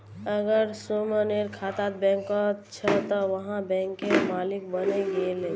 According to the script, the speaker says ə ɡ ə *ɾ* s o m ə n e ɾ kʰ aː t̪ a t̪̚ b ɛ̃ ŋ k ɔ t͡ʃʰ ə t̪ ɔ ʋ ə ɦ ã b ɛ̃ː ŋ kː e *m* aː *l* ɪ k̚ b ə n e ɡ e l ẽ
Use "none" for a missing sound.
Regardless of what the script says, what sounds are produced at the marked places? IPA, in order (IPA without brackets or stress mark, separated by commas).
ɾ, m, l